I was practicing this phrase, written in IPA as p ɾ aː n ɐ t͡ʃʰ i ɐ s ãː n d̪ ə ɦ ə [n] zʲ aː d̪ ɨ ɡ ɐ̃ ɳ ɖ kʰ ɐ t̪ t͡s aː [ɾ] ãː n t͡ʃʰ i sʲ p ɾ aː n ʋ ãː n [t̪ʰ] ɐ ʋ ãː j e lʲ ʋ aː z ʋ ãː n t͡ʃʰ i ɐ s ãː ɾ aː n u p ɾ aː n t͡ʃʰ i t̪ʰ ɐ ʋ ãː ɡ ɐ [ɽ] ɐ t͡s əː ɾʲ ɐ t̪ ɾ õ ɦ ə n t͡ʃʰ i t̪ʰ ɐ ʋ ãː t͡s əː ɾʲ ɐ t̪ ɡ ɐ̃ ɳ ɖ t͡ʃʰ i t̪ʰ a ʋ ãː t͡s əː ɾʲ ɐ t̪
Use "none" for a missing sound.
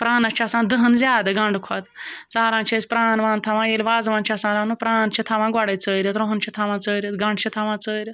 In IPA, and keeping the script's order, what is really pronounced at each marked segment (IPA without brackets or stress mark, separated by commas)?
n, ɾ, t̪ʰ, ɽ